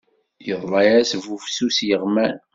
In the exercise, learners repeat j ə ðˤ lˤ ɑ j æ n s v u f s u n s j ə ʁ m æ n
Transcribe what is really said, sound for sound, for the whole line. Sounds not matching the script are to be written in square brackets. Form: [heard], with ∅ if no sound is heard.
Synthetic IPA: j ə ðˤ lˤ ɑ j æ [∅] s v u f s u [∅] s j ə ʁ m æ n